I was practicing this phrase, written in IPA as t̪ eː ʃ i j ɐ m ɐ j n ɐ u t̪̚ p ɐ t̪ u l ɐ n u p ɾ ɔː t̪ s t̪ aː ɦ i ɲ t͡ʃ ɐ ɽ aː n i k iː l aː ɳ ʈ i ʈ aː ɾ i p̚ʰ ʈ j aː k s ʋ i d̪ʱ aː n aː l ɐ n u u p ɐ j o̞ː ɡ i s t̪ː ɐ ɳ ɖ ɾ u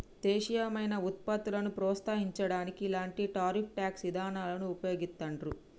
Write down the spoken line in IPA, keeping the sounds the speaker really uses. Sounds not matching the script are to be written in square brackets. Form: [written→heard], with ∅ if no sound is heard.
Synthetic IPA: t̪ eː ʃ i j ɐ m ɐ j n ɐ u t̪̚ p ɐ t̪ u l ɐ n u p ɾ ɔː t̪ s t̪ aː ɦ i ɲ t͡ʃ ɐ ɽ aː n i k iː l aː ɳ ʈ i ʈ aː ɾ i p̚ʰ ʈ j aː k s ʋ i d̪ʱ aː n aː l ɐ n u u p ɐ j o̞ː ɡ i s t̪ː ɐ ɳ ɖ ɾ u